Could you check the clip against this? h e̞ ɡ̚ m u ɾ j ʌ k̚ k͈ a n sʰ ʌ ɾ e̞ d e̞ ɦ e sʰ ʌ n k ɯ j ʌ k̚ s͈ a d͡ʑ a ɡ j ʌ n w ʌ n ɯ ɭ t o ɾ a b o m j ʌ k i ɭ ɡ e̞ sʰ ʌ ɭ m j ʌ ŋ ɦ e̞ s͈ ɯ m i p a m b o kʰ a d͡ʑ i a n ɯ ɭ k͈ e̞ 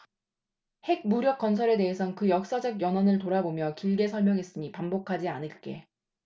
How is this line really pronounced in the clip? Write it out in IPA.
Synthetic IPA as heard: h e̞ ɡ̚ m u ɾ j ʌ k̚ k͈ ʌ n sʰ ʌ ɾ e̞ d e̞ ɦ e sʰ ʌ n k ɯ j ʌ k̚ s͈ a d͡ʑ ʌ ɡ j ʌ n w ʌ n ɯ ɭ t o ɾ a b o m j ʌ k i ɭ ɡ e̞ sʰ ʌ ɭ m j ʌ ŋ ɦ e̞ s͈ ɯ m i p a m b o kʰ a d͡ʑ i a n ɯ ɭ k͈ e̞

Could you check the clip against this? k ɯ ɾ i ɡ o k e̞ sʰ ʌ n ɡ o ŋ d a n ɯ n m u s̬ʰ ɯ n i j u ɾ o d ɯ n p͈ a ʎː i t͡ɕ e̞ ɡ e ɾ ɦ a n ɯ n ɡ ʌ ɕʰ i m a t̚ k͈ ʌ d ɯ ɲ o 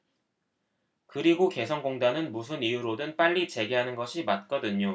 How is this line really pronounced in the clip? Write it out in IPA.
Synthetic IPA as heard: k ɯ ɾ i ɡ o k e̞ sʰ ʌ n ɡ o ŋ d a n ɯ n m u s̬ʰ ɯ n i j u ɾ o d ɯ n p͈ a ʎː i t͡ɕ e̞ ɡ e ɦ a n ɯ n ɡ ʌ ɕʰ i m a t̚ k͈ ʌ d ɯ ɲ o

